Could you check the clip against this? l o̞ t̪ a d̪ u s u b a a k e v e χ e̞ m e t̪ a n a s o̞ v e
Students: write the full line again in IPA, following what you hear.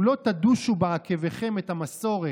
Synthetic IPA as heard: l o̞ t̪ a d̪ u ʃ u b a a k e v e χ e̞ m e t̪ a m a s o̞ ʁ e